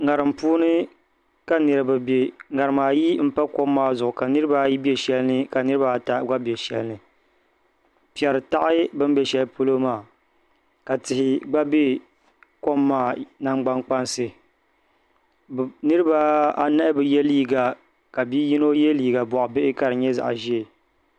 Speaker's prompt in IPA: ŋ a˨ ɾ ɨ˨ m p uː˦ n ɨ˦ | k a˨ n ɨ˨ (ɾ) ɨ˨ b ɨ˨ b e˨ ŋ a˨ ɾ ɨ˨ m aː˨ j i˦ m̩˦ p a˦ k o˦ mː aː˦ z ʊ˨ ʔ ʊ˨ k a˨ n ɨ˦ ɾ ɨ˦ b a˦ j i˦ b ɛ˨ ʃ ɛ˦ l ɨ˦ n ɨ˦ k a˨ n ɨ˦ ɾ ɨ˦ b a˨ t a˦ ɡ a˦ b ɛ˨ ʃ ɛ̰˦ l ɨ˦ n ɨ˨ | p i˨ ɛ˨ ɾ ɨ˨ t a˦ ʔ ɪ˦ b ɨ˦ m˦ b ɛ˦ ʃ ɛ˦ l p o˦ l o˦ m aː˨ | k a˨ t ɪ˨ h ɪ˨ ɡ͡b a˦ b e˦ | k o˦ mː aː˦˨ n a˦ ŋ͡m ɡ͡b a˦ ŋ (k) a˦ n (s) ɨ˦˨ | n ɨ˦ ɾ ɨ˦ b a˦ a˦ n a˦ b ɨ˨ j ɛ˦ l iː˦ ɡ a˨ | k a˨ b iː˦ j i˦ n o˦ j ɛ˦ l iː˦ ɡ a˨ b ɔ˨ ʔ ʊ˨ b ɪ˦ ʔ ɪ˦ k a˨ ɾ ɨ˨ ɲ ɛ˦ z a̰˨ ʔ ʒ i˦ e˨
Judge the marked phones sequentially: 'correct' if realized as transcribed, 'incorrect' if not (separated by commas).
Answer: correct, incorrect, correct